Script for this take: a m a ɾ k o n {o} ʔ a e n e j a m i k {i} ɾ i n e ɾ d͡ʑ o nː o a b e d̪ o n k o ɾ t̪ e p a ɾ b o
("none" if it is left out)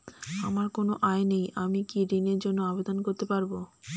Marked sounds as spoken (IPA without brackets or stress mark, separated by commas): o, i